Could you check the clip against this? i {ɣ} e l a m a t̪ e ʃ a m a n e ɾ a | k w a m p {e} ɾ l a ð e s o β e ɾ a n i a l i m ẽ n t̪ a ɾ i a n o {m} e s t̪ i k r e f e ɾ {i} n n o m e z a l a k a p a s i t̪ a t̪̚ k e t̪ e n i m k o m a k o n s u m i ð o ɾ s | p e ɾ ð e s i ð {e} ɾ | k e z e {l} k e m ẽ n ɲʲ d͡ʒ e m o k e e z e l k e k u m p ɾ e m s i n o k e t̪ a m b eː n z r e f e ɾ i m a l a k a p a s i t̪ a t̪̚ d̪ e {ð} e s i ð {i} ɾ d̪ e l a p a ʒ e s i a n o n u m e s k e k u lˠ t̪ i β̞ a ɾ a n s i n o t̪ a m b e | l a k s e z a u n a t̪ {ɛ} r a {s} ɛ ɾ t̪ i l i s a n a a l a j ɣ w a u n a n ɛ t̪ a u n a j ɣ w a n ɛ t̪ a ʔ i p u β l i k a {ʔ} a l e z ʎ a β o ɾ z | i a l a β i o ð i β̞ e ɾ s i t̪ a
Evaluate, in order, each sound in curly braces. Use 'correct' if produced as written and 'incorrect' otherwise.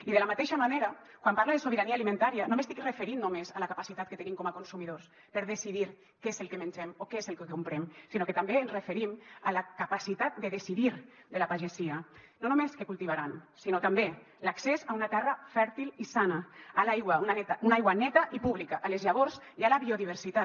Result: incorrect, incorrect, correct, correct, incorrect, correct, correct, correct, correct, incorrect, correct

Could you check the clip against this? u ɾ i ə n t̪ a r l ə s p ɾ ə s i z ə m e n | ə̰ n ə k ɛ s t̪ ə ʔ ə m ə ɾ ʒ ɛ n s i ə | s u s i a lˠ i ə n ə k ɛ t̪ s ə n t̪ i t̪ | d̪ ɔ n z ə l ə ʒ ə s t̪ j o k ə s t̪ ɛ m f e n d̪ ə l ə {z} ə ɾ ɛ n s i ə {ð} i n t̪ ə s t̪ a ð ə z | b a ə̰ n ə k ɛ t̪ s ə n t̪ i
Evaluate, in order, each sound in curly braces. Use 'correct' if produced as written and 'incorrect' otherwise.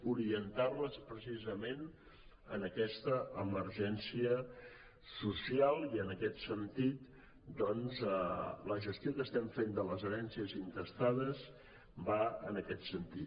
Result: correct, incorrect

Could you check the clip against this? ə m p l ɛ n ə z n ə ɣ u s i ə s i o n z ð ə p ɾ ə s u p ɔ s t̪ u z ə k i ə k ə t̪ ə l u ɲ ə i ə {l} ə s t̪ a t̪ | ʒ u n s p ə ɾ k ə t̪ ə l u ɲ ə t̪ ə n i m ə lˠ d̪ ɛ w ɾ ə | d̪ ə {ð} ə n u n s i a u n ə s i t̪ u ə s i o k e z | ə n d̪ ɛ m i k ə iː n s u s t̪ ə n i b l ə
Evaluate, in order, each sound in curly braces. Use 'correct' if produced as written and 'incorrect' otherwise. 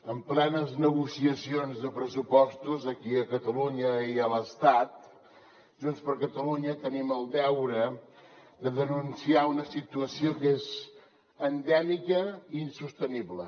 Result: correct, correct

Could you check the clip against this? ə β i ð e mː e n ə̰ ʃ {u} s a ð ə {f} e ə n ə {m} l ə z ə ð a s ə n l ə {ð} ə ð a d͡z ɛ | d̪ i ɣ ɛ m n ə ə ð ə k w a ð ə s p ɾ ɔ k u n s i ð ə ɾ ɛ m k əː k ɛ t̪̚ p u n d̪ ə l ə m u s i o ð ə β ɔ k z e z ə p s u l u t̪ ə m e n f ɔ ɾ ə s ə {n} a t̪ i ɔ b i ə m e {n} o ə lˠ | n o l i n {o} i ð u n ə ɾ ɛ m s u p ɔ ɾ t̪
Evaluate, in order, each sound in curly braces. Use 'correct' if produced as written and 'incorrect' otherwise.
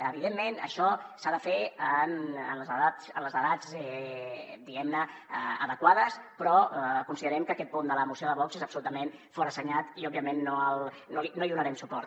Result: incorrect, correct, incorrect, incorrect, incorrect, incorrect, correct

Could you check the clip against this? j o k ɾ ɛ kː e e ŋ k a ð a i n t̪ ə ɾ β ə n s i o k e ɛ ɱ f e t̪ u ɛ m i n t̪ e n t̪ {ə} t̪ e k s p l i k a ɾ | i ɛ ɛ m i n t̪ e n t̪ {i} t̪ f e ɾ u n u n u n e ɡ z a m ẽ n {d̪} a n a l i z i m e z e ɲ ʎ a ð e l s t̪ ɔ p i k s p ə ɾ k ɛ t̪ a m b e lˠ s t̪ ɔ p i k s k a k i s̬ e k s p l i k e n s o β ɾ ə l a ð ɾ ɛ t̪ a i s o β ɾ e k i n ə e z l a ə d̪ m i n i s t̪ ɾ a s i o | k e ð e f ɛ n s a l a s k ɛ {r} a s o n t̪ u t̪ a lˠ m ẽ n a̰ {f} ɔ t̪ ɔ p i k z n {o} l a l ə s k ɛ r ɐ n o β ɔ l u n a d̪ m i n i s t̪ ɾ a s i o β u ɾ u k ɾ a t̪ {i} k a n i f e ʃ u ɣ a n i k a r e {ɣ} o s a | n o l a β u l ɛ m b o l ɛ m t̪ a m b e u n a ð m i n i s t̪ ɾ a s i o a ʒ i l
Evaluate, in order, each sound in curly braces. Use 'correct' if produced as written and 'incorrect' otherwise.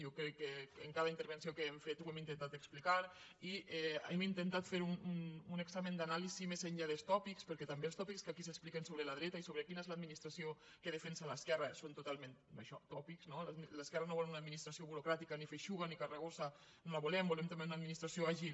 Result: incorrect, incorrect, correct, correct, incorrect, correct, correct, correct

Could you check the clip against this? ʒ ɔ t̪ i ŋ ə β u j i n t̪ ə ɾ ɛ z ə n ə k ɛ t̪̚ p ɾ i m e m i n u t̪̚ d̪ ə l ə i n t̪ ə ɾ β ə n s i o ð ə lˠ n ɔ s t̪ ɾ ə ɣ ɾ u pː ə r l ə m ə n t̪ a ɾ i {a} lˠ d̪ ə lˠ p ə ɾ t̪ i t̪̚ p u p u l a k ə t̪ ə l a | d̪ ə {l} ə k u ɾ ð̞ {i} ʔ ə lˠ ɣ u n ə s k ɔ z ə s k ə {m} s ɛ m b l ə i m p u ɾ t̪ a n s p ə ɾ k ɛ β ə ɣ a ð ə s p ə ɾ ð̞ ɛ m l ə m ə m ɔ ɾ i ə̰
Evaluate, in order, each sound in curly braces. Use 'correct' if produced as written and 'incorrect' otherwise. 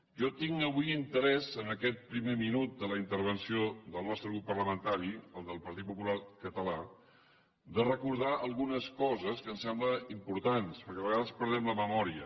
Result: incorrect, incorrect, incorrect, incorrect

